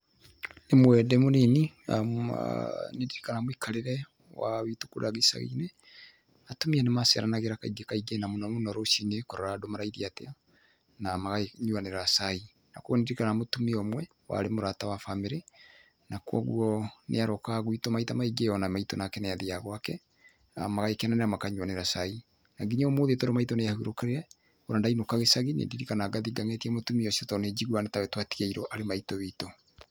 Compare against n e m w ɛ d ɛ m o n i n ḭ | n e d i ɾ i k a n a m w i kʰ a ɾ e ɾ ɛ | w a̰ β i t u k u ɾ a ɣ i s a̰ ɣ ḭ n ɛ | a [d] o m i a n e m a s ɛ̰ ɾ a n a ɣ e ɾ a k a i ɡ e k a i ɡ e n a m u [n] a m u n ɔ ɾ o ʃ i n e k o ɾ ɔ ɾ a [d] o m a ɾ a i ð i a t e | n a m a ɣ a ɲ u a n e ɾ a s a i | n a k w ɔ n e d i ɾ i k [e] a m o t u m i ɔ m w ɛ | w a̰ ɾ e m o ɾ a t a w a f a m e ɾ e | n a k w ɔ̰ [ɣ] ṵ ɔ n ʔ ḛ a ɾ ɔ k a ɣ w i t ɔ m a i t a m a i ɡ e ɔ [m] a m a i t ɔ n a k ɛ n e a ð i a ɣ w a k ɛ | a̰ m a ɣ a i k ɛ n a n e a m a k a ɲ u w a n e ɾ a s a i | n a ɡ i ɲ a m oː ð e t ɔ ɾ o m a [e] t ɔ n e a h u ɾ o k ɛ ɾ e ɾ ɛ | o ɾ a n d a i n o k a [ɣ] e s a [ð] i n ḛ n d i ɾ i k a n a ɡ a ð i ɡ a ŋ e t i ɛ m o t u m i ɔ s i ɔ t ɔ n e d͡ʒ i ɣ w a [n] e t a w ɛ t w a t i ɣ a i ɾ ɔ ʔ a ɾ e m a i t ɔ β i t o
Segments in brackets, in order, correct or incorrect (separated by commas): incorrect, correct, correct, incorrect, correct, incorrect, incorrect, correct, incorrect, correct